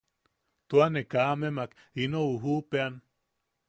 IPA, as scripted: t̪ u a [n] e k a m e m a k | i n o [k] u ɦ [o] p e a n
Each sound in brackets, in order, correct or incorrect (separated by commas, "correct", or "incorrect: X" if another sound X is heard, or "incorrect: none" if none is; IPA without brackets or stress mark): correct, incorrect: none, incorrect: u